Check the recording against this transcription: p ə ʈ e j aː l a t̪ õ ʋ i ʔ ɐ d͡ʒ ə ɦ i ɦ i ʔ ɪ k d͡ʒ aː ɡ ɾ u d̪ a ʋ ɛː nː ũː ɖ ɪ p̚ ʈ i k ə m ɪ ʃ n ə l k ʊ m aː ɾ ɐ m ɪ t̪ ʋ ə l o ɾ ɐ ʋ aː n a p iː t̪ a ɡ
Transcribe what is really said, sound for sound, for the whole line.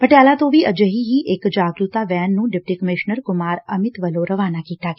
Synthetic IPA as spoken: p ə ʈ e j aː l a t̪ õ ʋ i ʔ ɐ d͡ʒ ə ɦ i ɦ i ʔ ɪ k d͡ʒ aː ɡ ɾ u t̪ a ʋ ɛː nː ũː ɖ ɪ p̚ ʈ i k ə m ɪ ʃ n ə ɾ k ʊ m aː ɾ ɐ m ɪ t̪ ʋ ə l o ɾ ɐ ʋ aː n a k iː t̪ a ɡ